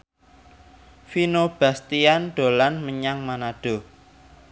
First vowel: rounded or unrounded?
unrounded